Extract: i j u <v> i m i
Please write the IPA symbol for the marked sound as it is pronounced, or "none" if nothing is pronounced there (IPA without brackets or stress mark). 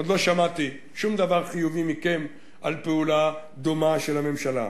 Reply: v